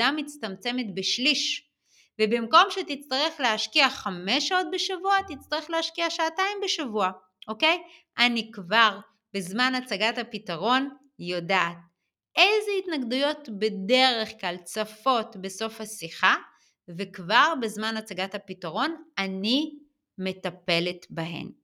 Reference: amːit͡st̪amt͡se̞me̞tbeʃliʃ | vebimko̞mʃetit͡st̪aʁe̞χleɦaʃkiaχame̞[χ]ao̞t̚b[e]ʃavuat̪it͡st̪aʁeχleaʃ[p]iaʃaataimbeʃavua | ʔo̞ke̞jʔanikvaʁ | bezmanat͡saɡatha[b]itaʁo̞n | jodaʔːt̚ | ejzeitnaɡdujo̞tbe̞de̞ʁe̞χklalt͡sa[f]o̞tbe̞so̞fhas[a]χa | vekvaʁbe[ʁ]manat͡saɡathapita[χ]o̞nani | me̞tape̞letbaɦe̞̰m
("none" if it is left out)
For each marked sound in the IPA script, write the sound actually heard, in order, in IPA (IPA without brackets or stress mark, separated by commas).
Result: ʃ, e, k, p, f, i, z, ʁ